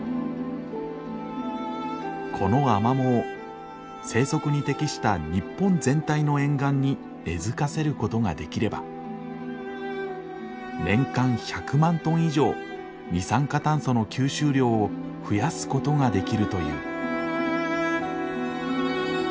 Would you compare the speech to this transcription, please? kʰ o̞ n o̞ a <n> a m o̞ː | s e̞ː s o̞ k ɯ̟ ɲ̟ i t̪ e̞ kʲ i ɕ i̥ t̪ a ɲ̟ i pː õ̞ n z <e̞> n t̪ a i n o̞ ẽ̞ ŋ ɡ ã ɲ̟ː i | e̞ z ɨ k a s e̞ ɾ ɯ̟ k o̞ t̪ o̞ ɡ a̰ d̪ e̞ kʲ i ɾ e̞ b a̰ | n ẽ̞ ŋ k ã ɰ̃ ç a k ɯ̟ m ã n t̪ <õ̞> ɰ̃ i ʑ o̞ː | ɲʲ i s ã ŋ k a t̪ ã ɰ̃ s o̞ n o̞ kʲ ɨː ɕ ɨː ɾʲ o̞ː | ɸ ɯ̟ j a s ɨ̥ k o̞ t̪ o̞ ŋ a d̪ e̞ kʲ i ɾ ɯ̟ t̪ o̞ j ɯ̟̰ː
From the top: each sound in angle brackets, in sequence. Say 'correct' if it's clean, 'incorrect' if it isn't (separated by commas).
incorrect, incorrect, correct